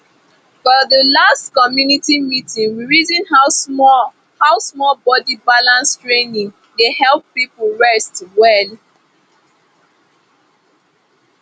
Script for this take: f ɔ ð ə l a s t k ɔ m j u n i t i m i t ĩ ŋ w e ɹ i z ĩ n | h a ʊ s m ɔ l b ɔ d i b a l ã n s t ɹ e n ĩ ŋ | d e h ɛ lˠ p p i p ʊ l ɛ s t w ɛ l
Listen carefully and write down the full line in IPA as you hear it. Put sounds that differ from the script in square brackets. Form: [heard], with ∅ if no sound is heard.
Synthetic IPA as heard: f ɔ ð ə l a s t k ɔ m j u n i t i m i t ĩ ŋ w [i] ɹ i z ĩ n | h a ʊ s m ɔ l b ɔ d i b a l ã n s t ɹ e n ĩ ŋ | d e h ɛ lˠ p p i p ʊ [ɹ] ɛ s t w ɛ l